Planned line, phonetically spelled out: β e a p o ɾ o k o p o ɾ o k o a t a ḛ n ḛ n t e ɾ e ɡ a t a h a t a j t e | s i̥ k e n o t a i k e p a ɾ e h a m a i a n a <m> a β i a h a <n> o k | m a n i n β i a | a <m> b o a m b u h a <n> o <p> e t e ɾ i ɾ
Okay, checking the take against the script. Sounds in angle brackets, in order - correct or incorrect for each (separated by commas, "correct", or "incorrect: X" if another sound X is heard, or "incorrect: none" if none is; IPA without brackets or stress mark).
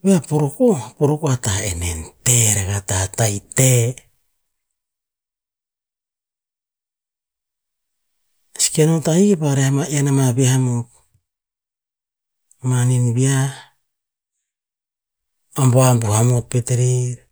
correct, incorrect: m, correct, incorrect: m, correct